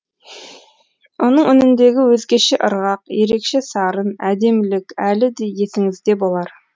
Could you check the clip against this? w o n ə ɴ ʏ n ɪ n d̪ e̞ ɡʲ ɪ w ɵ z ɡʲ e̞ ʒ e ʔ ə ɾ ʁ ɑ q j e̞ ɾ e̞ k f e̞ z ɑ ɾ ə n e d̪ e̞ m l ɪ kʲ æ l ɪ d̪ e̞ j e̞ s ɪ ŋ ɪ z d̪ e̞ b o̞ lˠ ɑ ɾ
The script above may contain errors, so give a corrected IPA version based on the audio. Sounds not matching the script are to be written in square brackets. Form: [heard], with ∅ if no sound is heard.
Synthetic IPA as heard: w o n ə ɴ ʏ n ɪ n d̪ e̞ ɡʲ ɪ w ɵ z ɡʲ e̞ [ʃ] e ʔ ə ɾ ʁ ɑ q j e̞ ɾ e̞ k [ʃ] e̞ [s] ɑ ɾ ə n [æ] d̪ e̞ m l ɪ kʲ æ l ɪ d̪ e̞ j e̞ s ɪ ŋ ɪ z d̪ e̞ b o̞ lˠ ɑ ɾ